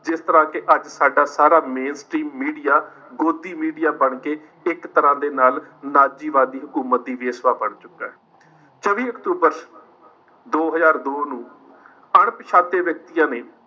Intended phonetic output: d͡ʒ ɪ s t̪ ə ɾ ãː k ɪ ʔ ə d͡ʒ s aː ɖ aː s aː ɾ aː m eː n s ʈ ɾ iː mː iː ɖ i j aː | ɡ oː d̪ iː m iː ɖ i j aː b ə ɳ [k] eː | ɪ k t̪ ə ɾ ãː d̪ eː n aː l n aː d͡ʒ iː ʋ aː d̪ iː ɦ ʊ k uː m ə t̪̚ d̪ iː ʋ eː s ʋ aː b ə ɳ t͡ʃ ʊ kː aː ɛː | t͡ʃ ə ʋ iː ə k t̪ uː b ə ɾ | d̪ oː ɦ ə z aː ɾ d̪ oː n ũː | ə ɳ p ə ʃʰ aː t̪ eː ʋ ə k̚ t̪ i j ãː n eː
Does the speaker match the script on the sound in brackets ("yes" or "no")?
yes